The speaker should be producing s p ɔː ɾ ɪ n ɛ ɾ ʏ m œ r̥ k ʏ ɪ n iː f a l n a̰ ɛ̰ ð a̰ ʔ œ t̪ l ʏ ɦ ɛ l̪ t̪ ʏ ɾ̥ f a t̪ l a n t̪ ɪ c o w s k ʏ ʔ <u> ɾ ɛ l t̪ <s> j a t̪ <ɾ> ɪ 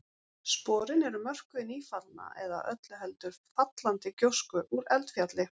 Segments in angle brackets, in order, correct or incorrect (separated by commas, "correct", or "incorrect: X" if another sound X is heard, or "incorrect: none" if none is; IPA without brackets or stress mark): correct, incorrect: f, incorrect: l